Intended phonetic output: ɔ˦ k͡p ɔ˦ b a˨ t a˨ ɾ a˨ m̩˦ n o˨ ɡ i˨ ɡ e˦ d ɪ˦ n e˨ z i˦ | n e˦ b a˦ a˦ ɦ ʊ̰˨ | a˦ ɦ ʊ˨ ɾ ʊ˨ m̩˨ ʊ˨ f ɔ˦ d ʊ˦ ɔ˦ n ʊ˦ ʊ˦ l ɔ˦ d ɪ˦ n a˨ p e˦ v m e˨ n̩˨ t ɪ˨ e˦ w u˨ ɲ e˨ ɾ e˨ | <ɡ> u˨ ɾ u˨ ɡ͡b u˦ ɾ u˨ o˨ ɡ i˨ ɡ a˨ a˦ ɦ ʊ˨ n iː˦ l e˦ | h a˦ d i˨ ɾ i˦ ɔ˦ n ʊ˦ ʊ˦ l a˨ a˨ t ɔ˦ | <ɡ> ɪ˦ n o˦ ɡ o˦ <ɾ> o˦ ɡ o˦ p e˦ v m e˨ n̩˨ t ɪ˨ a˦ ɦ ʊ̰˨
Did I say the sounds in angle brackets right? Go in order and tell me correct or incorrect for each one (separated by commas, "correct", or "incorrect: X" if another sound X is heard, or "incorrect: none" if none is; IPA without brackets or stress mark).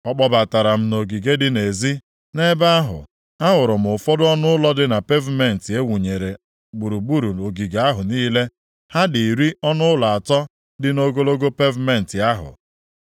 incorrect: ɡ͡b, incorrect: d, incorrect: l